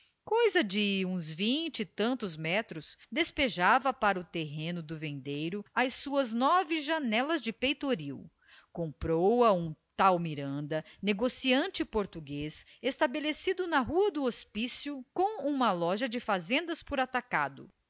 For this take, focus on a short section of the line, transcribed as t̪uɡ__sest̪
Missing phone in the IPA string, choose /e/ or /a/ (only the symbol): e